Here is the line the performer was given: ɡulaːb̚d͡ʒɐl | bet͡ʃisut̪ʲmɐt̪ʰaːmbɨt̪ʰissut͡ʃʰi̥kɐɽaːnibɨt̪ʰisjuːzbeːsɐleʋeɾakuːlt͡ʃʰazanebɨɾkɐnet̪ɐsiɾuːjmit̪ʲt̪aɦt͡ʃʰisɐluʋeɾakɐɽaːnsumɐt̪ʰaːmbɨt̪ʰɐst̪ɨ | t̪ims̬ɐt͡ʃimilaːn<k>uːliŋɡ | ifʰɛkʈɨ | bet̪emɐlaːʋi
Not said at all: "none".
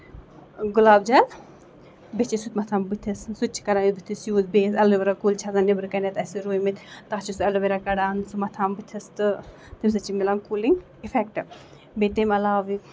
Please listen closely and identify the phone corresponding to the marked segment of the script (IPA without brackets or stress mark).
k